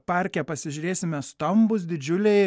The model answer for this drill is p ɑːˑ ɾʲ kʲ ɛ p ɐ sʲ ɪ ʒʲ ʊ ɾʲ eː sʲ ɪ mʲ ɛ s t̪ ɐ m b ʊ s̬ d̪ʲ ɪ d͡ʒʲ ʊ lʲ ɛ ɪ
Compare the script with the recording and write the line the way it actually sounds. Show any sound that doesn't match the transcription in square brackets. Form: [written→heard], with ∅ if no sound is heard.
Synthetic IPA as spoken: p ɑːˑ ɾʲ kʲ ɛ p ɐ sʲ ɪ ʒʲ ʊ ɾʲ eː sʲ ɪ mʲ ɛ s t̪ ɐ m b ʊ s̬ d̪ʲ ɪ d͡ʒʲ ʊ lʲ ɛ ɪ